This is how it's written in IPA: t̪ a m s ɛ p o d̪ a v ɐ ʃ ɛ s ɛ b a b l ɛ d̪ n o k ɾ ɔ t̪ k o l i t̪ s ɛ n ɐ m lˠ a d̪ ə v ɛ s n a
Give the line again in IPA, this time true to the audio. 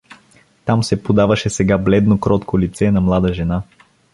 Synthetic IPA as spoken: t̪ a m s ɛ p o d̪ a v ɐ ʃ ɛ s ɛ ɡ a b l ɛ d̪ n o k ɾ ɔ t̪ k o l i t̪ s ɛ n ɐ m lˠ a d̪ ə ʒ ɛ n a